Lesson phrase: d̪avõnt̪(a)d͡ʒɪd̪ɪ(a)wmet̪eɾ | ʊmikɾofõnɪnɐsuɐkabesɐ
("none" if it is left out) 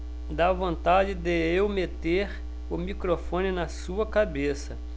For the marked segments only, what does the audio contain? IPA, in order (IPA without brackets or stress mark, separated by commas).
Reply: a, e